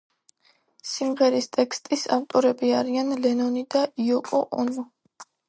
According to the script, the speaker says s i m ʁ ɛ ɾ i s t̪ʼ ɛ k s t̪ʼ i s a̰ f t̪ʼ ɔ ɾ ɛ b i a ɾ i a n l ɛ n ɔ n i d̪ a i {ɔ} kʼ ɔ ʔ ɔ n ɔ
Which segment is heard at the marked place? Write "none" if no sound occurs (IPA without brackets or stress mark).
ɔ